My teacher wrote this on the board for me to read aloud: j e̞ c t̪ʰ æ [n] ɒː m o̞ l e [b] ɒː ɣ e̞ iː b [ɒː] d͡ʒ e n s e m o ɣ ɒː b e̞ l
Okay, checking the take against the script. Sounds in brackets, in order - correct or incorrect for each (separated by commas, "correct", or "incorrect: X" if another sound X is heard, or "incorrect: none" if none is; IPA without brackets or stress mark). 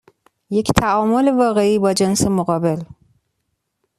incorrect: none, incorrect: v, correct